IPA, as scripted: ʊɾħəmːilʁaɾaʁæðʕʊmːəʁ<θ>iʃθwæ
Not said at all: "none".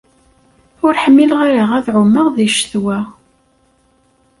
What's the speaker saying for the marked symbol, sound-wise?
ð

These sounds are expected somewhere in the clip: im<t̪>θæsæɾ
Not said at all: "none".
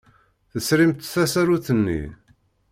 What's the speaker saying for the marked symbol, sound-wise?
t̪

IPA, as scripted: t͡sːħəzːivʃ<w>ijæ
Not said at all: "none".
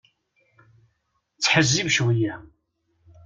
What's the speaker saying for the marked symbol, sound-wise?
w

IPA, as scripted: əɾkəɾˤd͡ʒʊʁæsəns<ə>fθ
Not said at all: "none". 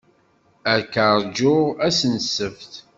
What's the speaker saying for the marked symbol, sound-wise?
ə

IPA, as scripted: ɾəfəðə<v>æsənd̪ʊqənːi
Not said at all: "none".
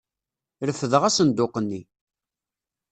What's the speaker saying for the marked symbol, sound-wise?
ʁ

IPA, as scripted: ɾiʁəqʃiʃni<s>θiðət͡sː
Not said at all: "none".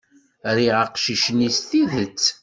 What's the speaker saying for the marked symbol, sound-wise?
s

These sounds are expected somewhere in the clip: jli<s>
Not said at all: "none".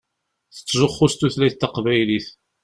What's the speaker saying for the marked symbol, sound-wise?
θ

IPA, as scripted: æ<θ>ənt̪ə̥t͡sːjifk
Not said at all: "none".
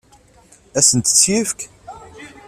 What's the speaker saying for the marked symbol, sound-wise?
s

